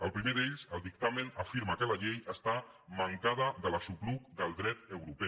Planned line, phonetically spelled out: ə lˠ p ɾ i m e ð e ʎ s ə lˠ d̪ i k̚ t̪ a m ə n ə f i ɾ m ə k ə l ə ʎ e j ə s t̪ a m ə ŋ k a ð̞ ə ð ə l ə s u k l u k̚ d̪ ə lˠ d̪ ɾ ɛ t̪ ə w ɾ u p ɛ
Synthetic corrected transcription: ə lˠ p ɾ i m e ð e ʎ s ə lˠ d̪ i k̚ t̪ a m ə n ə f i ɾ m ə k ə l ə ʎ e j ə s t̪ a m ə ŋ k a ð̞ ə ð ə l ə s u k l u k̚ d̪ ə lˠ d̪ ɾ ɛ t̪ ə w ɾ u p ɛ